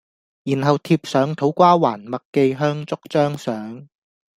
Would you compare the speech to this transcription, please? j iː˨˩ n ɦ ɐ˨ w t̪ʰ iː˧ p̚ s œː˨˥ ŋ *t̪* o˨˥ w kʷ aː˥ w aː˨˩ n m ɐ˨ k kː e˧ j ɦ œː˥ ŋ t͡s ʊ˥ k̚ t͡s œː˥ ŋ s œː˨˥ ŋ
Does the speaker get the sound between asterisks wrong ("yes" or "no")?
yes